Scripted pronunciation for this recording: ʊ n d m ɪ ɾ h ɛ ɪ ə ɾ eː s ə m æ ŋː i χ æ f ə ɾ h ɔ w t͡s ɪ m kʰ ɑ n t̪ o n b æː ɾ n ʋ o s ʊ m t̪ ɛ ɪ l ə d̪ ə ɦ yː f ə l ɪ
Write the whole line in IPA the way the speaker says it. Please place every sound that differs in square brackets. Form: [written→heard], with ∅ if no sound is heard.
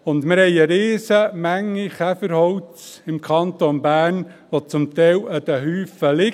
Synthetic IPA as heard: ʊ n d m ɪ ɾ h ɛ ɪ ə ɾ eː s ə m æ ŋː i χ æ f ə ɾ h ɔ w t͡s ɪ m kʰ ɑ n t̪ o n b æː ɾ n ʋ o [s→t͡s] ʊ m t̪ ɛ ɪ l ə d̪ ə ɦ yː f ə l ɪ